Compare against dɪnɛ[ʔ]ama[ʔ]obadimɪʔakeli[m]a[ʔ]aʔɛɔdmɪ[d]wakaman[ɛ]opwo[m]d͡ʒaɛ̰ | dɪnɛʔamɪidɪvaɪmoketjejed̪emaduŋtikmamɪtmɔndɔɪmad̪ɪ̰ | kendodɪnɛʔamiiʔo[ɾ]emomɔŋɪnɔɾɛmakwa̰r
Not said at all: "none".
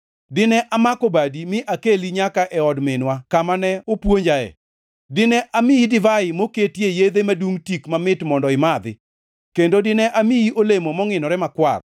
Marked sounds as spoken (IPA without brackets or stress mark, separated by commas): ʔ, k, ɲ, k, n, ɛ, ɲ, l